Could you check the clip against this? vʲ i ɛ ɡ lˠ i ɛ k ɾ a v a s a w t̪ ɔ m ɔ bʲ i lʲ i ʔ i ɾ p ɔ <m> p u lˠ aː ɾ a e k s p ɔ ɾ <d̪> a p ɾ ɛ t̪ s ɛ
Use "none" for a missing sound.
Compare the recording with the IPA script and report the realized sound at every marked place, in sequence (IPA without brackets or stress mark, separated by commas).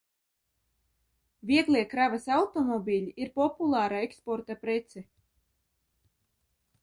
none, t̪